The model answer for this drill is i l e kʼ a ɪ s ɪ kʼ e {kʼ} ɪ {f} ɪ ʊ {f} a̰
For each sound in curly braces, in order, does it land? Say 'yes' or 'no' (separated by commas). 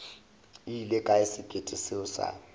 no, no, no